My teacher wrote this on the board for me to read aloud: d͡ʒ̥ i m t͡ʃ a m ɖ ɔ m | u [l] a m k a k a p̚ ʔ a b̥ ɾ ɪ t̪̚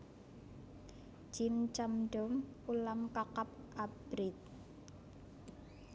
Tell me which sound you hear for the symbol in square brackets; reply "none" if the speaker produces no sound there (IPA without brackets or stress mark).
l